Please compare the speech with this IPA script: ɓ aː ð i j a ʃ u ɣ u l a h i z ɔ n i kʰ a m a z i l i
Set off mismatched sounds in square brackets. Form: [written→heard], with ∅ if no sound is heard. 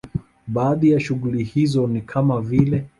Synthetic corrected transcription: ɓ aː ð i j a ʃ u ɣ u l [a→i] h i z ɔ n i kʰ a m a [z→v] i l [i→ɛ]